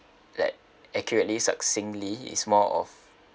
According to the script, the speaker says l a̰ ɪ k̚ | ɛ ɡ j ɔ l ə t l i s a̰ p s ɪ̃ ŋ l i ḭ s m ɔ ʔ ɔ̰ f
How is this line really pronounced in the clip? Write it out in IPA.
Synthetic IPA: l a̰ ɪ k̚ | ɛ k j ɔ ɹ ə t l i s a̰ k s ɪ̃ ŋ l i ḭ s m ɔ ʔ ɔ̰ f